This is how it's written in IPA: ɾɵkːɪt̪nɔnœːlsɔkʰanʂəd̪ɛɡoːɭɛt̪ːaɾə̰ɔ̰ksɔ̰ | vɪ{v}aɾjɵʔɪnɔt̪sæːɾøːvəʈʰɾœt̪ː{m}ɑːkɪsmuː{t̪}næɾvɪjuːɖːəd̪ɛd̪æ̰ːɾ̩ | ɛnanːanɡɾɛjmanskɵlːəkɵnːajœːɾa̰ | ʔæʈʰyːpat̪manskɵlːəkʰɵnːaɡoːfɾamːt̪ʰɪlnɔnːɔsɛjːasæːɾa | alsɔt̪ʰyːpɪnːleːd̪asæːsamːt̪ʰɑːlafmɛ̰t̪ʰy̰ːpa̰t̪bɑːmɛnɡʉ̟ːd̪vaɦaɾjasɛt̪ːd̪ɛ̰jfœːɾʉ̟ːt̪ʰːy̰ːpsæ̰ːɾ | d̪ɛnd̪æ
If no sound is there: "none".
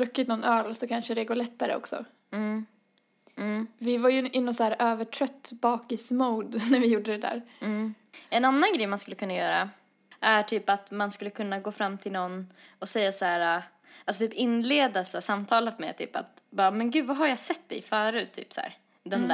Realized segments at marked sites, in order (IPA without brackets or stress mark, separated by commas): v, b, d̪